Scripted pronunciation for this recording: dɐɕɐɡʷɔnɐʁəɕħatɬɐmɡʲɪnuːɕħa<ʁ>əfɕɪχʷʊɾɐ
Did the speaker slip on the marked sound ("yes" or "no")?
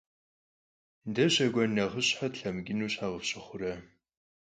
no